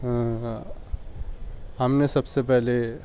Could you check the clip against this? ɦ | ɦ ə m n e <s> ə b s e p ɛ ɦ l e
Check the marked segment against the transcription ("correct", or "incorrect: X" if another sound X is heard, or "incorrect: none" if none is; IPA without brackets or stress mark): correct